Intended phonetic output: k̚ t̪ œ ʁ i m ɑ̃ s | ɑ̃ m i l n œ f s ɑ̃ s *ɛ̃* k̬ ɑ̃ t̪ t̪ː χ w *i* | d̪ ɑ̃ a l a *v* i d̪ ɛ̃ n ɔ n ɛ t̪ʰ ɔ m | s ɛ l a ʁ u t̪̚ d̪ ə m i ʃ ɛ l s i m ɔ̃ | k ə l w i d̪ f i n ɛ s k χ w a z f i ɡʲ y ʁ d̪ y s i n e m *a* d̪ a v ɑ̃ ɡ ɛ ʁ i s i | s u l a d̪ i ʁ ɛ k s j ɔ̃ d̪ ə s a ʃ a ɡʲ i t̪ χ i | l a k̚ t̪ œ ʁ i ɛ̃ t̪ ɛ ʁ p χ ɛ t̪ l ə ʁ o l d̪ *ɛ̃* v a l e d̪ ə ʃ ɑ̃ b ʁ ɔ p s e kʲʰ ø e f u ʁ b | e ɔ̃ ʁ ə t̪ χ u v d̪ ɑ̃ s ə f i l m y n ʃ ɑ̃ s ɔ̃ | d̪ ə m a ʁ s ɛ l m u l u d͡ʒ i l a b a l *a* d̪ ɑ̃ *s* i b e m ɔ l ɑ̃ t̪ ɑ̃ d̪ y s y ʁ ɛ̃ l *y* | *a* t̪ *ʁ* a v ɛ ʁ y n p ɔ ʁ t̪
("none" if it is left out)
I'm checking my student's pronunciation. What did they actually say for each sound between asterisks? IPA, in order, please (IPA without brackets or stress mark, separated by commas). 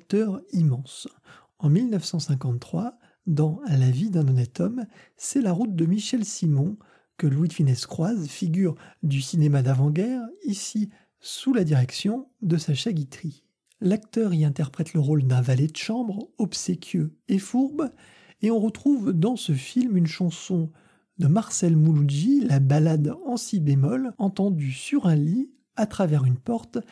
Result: ɛ̃, a, v, a, ɛ̃, a, s, i, a, χ